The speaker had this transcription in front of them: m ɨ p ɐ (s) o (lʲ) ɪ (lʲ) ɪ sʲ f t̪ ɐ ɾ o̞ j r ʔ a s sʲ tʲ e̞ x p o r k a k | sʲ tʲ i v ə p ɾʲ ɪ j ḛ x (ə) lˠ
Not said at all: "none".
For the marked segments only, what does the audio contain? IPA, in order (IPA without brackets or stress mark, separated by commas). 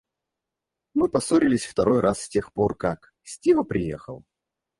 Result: s, ɾʲ, lʲ, ə